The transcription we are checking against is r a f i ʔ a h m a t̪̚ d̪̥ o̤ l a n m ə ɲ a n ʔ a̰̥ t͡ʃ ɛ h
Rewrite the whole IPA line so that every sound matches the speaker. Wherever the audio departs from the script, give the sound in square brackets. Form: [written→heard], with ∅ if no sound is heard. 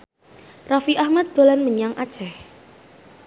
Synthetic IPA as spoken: r a f i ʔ a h m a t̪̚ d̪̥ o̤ l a n m ə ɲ a [n→ŋ] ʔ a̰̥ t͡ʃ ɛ h